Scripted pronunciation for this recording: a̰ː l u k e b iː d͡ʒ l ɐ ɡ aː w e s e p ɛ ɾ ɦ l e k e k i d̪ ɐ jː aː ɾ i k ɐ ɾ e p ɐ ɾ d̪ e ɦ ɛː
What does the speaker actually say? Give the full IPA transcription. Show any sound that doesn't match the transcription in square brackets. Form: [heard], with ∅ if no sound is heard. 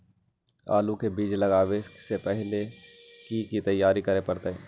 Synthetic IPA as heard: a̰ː l u k e b iː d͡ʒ l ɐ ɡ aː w e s e p ɛ [∅] ɦ l e k [i] k i [t̪] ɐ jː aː ɾ i k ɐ ɾ e p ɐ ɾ [t̪] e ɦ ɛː